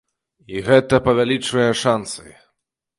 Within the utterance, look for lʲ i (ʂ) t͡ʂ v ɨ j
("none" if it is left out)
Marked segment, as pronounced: none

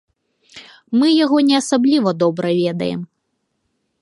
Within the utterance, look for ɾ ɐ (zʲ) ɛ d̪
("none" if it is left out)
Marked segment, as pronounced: vʲ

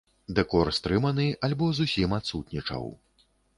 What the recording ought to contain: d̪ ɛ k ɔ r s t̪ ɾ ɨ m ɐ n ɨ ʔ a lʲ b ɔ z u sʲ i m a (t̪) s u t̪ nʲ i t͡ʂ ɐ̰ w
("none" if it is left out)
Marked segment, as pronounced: t̪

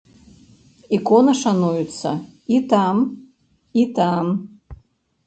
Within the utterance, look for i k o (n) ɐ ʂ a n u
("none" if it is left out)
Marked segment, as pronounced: n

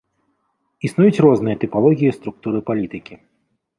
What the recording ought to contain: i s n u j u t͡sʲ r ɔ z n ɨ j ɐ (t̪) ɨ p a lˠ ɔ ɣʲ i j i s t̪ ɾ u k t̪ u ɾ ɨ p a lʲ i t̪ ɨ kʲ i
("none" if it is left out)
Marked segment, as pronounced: t̪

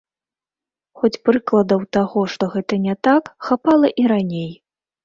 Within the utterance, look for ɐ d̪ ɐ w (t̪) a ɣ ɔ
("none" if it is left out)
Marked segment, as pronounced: t̪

